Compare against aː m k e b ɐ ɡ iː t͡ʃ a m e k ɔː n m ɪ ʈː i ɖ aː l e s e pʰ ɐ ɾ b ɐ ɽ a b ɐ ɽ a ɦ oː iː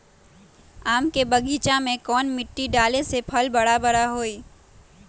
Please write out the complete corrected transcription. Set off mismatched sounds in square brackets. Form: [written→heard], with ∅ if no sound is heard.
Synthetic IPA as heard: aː m k e b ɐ ɡ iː t͡ʃ a m [e→ẽ] k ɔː n m ɪ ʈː i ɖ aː l e s e pʰ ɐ [ɾ→l] b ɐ ɽ a b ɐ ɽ a ɦ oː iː